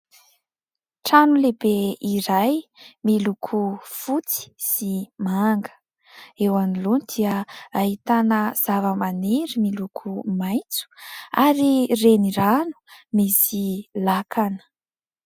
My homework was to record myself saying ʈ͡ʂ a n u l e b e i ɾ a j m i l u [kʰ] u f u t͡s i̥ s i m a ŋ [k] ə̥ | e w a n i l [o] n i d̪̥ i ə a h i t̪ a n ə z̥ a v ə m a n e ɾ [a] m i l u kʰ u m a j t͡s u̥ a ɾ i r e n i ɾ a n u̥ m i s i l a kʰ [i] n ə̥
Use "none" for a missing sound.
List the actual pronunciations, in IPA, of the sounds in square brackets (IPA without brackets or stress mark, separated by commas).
kʰ, ɡ, u, i, a